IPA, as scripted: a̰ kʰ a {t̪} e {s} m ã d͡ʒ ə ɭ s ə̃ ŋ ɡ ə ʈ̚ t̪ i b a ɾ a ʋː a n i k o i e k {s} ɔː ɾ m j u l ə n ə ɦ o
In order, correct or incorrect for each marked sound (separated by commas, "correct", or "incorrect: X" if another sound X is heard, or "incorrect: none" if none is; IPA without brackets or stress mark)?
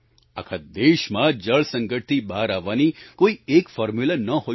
incorrect: d̪, incorrect: ʃ, incorrect: f